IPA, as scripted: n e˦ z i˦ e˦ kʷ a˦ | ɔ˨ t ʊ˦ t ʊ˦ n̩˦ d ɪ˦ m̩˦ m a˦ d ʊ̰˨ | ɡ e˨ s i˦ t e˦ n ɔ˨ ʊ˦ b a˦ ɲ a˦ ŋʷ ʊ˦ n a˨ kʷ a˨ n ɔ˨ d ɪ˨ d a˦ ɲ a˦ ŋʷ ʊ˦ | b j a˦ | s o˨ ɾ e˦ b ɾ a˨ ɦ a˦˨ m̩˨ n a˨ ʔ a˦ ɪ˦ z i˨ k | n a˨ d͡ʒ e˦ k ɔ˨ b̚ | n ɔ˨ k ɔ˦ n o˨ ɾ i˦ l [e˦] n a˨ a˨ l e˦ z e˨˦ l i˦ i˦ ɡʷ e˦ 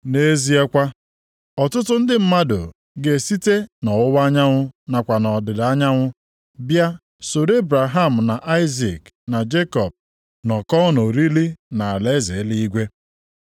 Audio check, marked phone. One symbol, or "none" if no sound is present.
i˦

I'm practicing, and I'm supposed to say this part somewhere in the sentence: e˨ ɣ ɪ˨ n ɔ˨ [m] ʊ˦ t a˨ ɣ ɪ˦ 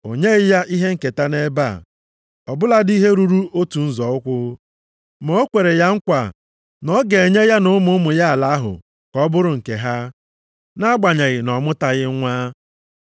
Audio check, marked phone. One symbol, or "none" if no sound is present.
m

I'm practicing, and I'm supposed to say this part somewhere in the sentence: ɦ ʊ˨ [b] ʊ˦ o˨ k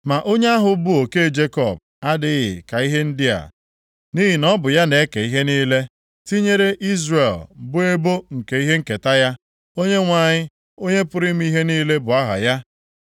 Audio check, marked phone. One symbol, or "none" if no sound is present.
b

